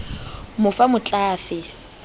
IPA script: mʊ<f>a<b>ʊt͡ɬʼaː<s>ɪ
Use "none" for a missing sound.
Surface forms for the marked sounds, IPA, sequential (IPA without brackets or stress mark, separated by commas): f, m, f